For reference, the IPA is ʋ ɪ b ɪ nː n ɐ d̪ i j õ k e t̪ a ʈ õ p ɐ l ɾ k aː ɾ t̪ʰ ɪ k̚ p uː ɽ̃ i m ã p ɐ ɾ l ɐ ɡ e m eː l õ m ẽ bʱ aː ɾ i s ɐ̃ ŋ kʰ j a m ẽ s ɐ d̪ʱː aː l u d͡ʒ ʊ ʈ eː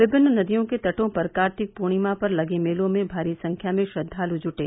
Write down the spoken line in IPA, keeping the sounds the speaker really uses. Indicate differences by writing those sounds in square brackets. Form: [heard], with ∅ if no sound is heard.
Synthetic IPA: ʋ ɪ b ɪ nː n ɐ d̪ i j õ k e t̪ [ɐ] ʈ õ p ɐ [∅] ɾ k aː ɾ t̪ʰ ɪ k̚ p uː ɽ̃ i m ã p ɐ ɾ l ɐ ɡ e m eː l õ m ẽ bʱ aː ɾ i s ɐ̃ ŋ kʰ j a m ẽ [ʃ] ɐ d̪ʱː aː l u d͡ʒ ʊ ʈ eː